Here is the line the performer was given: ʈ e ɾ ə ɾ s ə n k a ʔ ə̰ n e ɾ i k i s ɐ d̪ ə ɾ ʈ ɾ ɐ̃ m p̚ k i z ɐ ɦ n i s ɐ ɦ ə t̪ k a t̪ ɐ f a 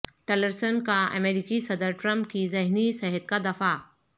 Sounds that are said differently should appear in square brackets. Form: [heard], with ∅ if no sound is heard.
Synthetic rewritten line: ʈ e [l] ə ɾ s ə n k a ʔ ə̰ [m] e ɾ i k i s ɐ d̪ ə ɾ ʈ ɾ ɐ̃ m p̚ k i z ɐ ɦ n i s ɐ ɦ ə t̪ k a [d̪] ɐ f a